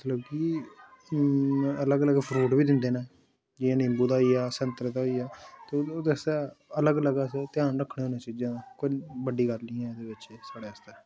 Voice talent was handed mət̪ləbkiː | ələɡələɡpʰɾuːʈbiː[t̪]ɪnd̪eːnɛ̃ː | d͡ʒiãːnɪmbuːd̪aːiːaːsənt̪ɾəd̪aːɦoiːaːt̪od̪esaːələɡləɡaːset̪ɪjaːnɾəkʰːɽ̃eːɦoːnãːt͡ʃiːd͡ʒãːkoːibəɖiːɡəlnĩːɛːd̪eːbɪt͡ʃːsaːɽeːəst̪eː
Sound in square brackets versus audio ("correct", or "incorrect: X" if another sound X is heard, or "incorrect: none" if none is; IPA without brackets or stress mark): incorrect: d̪